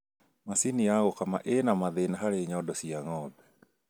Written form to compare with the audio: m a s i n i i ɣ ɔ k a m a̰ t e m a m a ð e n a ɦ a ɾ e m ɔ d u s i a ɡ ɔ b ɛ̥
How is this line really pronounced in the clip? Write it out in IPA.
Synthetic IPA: m a s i n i a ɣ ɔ k a m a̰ ʔ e n a m a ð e n a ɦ a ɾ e ɲ ɔ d ɔ s i a ŋ ɔ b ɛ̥